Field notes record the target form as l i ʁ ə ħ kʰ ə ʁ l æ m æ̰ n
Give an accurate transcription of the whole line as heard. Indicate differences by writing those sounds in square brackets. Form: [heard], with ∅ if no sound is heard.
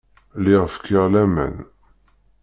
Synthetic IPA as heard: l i ʁ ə [f] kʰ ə ʁ l æ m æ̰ n